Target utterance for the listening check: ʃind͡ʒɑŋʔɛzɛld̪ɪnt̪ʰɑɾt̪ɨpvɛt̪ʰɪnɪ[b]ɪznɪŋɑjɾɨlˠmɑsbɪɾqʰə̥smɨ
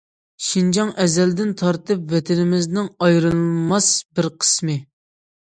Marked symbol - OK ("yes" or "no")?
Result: no